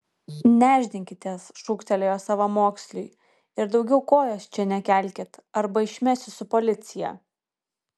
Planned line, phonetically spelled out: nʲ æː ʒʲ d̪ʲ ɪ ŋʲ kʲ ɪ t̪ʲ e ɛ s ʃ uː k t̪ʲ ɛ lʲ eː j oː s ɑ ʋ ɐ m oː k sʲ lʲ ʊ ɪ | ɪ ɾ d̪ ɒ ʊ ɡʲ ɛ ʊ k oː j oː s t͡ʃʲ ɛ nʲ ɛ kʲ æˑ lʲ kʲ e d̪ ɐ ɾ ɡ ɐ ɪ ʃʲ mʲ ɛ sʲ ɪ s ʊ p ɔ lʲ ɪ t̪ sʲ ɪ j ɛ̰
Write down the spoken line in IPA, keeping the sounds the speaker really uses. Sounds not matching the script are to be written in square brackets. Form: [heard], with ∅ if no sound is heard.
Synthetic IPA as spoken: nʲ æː ʒʲ d̪ʲ ɪ ŋʲ kʲ ɪ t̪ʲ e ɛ s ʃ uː k t̪ʲ ɛ lʲ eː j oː s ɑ ʋ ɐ m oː k sʲ lʲ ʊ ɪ | ɪ ɾ d̪ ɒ ʊ ɡʲ ɛ ʊ k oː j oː s t͡ʃʲ ɛ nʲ ɛ kʲ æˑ lʲ kʲ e [t̪] ɐ ɾ [b] ɐ ɪ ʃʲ mʲ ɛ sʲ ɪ s ʊ p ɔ lʲ ɪ t̪ sʲ ɪ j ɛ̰

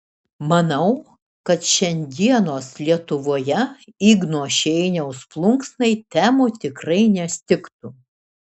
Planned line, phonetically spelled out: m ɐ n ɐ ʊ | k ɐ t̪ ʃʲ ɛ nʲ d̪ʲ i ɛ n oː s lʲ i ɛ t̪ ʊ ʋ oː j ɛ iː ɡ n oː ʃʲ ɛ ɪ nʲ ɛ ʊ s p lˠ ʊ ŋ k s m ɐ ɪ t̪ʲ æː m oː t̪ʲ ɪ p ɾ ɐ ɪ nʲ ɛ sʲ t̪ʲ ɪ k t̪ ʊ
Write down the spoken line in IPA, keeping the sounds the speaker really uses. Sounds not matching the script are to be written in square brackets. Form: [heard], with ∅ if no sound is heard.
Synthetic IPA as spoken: m ɐ n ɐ ʊ | k ɐ t̪ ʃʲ ɛ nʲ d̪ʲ i ɛ n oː s lʲ i ɛ t̪ ʊ ʋ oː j ɛ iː ɡ n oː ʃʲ ɛ ɪ nʲ ɛ ʊ s p lˠ ʊ ŋ k s [n] ɐ ɪ t̪ʲ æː m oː t̪ʲ ɪ [k] ɾ ɐ ɪ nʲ ɛ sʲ t̪ʲ ɪ k t̪ ʊ

